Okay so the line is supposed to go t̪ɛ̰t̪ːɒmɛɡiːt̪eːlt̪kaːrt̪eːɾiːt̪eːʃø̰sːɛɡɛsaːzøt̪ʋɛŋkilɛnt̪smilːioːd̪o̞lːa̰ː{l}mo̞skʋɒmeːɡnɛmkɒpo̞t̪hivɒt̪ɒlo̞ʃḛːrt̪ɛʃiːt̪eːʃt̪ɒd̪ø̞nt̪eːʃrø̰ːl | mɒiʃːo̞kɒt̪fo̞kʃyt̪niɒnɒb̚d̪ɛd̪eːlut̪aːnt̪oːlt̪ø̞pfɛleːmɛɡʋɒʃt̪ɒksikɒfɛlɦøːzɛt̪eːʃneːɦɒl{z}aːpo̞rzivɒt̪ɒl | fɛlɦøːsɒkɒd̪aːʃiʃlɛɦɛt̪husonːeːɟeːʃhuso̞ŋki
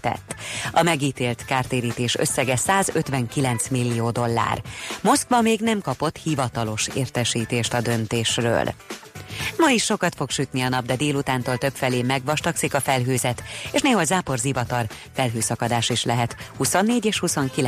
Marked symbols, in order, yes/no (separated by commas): no, yes